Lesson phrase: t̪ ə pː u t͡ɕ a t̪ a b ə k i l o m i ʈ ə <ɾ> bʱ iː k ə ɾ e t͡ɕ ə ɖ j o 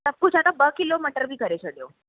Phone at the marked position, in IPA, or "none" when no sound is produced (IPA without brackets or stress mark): ɾ